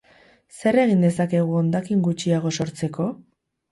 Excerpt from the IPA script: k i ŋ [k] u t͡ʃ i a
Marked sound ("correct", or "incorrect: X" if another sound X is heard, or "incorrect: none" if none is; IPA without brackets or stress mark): incorrect: ɡ